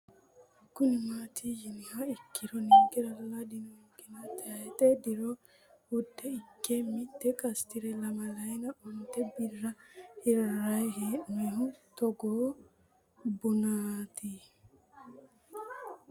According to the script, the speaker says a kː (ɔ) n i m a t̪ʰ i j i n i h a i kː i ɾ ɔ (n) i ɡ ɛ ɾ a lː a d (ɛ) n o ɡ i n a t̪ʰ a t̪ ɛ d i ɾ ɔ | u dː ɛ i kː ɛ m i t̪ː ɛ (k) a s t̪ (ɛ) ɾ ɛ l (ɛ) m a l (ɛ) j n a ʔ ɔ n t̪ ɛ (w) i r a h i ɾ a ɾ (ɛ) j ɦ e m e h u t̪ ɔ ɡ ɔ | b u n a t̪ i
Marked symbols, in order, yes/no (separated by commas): no, yes, no, yes, no, no, no, no, no